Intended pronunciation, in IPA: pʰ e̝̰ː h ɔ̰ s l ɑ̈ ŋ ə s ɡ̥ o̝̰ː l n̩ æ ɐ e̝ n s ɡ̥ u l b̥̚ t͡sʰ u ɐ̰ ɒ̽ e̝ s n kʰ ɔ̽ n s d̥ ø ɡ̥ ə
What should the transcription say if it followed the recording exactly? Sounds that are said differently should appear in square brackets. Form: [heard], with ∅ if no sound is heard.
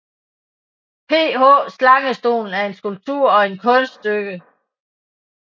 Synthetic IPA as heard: pʰ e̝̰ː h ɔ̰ s l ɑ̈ ŋ ə s [d̥] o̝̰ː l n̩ æ ɐ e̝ n s ɡ̥ u l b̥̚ t͡sʰ u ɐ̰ ɒ̽ e̝ [∅] n kʰ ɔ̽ n s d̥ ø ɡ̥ ə